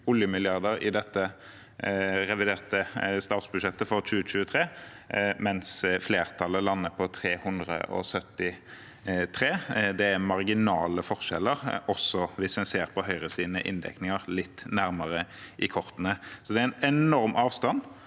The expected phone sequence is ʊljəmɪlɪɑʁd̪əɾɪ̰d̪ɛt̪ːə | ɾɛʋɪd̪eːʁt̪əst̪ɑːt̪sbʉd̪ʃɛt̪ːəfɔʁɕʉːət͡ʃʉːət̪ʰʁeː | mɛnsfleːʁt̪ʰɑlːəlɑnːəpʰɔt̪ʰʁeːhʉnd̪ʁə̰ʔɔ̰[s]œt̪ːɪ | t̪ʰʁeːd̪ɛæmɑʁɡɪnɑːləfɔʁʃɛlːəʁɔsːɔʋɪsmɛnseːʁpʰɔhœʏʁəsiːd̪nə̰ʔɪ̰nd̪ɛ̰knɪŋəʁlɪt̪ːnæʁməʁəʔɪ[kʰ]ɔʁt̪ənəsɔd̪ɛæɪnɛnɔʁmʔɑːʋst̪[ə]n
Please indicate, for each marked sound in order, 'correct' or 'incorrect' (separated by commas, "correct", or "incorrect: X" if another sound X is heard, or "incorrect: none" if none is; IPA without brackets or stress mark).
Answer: correct, correct, incorrect: ɑ